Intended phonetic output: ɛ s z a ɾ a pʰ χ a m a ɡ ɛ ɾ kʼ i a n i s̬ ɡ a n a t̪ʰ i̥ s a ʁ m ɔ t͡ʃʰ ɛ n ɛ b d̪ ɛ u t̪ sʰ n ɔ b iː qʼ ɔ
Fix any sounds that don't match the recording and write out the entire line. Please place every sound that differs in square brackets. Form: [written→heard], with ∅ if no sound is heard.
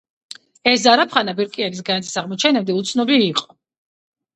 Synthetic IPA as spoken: ɛ s z a ɾ a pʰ χ a [m→n] a [ɡ→b] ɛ ɾ kʼ i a n i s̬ ɡ a n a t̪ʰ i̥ s a ʁ m ɔ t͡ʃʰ ɛ n ɛ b d̪ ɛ u t̪ sʰ n ɔ b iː qʼ ɔ